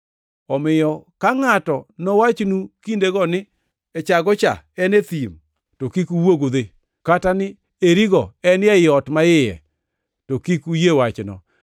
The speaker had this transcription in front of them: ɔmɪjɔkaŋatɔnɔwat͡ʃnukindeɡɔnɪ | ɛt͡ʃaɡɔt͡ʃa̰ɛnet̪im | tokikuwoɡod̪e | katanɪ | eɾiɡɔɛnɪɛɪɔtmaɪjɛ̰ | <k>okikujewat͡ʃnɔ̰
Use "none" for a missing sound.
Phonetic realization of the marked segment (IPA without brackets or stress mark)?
t